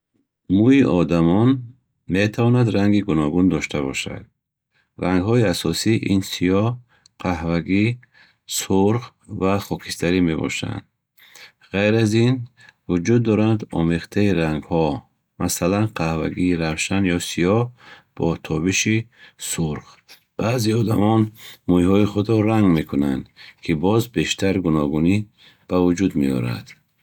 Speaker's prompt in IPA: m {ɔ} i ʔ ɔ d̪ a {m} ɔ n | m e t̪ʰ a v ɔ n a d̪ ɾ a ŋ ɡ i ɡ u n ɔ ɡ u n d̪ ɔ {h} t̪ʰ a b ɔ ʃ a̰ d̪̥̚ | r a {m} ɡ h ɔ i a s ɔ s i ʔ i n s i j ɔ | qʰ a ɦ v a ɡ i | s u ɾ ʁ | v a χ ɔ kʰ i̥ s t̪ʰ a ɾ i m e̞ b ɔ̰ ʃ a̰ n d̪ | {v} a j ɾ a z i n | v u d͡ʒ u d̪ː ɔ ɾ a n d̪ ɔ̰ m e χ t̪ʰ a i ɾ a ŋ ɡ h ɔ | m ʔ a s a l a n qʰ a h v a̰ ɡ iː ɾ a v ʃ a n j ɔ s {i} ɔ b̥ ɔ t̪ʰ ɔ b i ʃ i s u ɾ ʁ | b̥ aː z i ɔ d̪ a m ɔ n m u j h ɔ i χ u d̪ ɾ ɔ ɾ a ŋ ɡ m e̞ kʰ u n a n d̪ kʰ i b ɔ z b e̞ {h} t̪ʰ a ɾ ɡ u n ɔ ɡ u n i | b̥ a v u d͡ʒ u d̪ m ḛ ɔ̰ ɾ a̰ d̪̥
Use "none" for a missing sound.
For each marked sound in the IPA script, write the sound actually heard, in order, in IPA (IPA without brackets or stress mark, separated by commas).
u, m, ʃ, ŋ, ʁ, i, ʃ